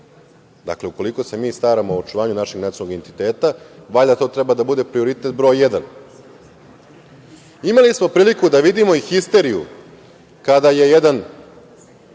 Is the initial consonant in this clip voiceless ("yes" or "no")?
no